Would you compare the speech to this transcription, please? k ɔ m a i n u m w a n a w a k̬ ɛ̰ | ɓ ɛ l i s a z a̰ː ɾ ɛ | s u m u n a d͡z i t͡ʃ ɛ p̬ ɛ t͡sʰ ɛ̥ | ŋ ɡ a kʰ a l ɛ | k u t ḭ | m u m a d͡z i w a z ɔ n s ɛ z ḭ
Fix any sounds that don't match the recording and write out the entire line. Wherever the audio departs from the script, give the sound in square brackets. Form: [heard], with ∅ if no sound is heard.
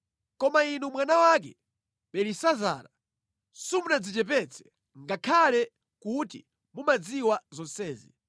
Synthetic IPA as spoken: k ɔ m a i n u m w a n a w a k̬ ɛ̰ | ɓ ɛ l i s a z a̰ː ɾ [a] | s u m u n a d͡z i t͡ʃ ɛ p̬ ɛ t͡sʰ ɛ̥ | ŋ ɡ a kʰ a l ɛ | k u t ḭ | m u m a d͡z i w a z ɔ n s [ɛː] z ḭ

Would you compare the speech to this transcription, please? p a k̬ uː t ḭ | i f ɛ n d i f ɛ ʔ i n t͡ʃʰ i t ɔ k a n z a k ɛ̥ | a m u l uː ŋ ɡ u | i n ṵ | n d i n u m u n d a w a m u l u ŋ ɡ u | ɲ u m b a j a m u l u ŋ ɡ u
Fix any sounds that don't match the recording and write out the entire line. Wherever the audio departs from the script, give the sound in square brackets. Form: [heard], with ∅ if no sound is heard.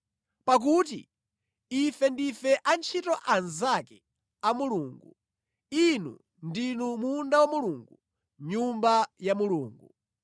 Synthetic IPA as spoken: p a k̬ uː t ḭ | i f ɛ n d i f ɛ ʔ [a] n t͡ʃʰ i t ɔ [ʔ] a n z a k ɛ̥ | a m u l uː ŋ ɡ u | i n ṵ | n d i n u m u n d a w a m u l u ŋ ɡ u | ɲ u m b a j a m u l [uː] ŋ ɡ u

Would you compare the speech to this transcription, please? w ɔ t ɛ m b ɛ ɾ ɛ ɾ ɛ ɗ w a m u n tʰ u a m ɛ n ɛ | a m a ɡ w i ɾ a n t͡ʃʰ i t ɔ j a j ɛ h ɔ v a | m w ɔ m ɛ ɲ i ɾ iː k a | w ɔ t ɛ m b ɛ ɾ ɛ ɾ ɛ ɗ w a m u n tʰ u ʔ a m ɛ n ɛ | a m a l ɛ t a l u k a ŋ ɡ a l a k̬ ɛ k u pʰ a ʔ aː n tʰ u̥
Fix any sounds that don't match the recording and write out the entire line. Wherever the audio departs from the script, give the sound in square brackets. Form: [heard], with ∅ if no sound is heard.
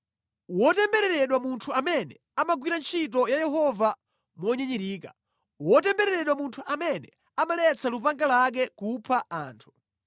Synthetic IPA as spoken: w ɔ t ɛ m b ɛ ɾ ɛ ɾ ɛ ɗ w a m u n tʰ u a m ɛ n ɛ | a m a ɡ w i ɾ a n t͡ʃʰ i t ɔ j a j ɛ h ɔ v a | m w ɔ [ɲ] ɛ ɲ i ɾ iː k a | w ɔ t ɛ m b ɛ ɾ ɛ ɾ ɛ ɗ w a m u n tʰ u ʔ a m ɛ n ɛ | a m a l ɛ [t͡s] a l u [p] a ŋ ɡ a l a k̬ ɛ k u pʰ a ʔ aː n tʰ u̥

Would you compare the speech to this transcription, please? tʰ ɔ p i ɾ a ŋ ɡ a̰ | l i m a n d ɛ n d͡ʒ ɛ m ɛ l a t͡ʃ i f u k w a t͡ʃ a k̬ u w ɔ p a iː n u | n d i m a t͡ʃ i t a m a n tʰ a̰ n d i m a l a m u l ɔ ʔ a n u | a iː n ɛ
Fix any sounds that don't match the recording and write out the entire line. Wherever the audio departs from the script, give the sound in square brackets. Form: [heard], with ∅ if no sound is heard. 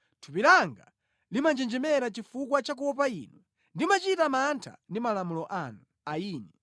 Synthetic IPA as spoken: tʰ [u] p i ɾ a ŋ ɡ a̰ | l i m a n [d͡ʒ] ɛ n d͡ʒ ɛ m ɛ [ɾ] a t͡ʃ i f u k w a t͡ʃ a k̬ u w ɔ p a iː n u | n d i m a t͡ʃ i t a m a n tʰ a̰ n d i m a l a m u l ɔ ʔ a n u | a iː n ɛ

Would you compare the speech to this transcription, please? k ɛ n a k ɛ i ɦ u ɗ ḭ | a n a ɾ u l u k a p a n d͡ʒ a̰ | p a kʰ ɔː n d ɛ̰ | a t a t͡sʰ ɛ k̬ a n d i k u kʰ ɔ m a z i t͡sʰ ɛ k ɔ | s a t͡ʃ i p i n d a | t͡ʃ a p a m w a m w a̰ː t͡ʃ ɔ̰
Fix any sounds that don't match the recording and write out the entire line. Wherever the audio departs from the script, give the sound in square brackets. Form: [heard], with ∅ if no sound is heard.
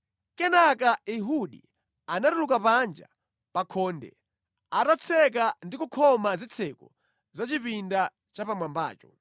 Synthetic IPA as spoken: k ɛ n a k [a] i ɦ u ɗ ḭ | a n a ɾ u l u k a p a n d͡ʒ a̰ | p a kʰ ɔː n d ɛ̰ | a t a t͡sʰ ɛ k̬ a n d i k u kʰ ɔ m a z i t͡sʰ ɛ k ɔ | [z] a t͡ʃ i p i n d a | t͡ʃ a p a m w a m [b] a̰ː t͡ʃ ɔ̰

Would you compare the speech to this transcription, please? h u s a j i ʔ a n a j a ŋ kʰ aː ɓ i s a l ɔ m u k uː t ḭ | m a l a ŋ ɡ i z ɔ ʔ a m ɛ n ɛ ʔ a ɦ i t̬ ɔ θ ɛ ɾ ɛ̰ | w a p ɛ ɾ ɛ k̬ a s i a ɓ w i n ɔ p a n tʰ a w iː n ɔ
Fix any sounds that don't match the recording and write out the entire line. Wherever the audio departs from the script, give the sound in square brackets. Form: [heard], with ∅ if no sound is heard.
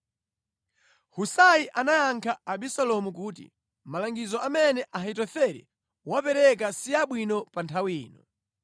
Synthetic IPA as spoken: h u s a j i ʔ a n a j a ŋ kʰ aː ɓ i s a l ɔ m u k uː t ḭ | m a l a ŋ ɡ i z ɔ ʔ a m ɛ n ɛ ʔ a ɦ i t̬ ɔ θ ɛ ɾ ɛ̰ | w a p ɛ ɾ ɛ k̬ a s i a ɓ w i n ɔ p a n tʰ a w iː n ɔ

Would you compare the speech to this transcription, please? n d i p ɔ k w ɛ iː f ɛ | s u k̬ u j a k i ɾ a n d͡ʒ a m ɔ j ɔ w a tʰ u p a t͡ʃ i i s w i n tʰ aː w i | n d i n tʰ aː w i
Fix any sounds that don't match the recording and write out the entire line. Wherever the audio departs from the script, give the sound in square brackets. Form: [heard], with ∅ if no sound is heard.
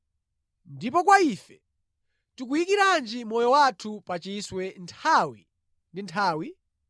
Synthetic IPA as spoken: n d i p ɔ k w [a] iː f ɛ | [t] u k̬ u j [i] k i ɾ a n d͡ʒ [i] m ɔ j ɔ w a tʰ u p a t͡ʃ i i s w [ɛ] n tʰ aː w i | n d i n tʰ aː w i

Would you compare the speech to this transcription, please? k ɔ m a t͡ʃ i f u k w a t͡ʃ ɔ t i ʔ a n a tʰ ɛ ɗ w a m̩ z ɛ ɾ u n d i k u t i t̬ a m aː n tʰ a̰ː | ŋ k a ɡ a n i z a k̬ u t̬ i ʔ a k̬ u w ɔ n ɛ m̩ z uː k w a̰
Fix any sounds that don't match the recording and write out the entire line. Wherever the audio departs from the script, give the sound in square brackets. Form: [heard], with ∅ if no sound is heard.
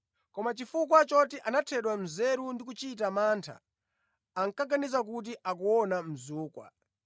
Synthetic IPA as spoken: k ɔ m a t͡ʃ i f u k w a t͡ʃ ɔ t i ʔ a n a tʰ ɛ ɗ w a m̩ z ɛ ɾ u n d i k u [t͡ʃ] i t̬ a m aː n tʰ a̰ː | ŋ k a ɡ a n i z a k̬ u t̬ i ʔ a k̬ u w ɔ n [a] m̩ z uː k w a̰

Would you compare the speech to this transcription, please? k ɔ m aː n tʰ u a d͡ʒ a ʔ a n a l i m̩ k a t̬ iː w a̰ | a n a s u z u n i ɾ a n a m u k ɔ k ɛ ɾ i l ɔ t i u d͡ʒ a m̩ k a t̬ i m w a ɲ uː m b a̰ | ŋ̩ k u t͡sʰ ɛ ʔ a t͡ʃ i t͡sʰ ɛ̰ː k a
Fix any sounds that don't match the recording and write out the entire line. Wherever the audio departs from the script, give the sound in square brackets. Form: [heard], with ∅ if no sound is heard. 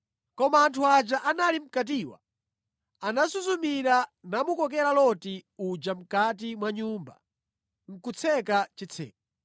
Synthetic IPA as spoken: k ɔ m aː n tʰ u a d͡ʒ a ʔ a n a l i m̩ k a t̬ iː w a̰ | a n a s u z u [m] i ɾ a n a m u k ɔ k ɛ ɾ [a] l ɔ t i u d͡ʒ a m̩ k a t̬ i m w a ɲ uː m b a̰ | ŋ̩ k u t͡sʰ ɛ [k] a t͡ʃ i t͡sʰ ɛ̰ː k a

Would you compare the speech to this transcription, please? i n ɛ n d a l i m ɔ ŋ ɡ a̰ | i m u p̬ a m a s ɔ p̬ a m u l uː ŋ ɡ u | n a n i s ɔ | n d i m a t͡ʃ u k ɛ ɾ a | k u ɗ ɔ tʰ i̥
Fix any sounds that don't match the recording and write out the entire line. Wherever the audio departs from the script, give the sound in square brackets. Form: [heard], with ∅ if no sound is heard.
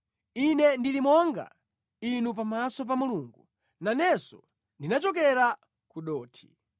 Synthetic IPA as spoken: i n ɛ n d [i] l i m ɔ ŋ ɡ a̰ | i [n] u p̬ a m a s ɔ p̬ a m u l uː ŋ ɡ u | n a n [ɛ] s ɔ | n d i [n] a t͡ʃ [ɔ] k ɛ ɾ a | k u ɗ [ɔː] tʰ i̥

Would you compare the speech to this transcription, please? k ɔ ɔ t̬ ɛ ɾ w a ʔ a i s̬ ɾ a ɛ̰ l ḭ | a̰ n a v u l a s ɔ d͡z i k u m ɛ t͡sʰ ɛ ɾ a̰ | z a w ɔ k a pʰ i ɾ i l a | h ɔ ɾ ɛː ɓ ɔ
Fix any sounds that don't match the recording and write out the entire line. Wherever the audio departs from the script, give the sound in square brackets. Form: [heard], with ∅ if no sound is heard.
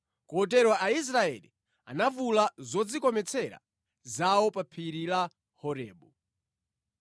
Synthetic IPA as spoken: k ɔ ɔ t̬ ɛ ɾ w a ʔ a i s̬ ɾ a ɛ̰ l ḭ | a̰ n a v u l a [z] ɔ d͡z i k [ɔ] m ɛ t͡sʰ ɛ ɾ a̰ | z a w ɔ [p] a pʰ i ɾ i l a | h ɔ ɾ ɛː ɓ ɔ

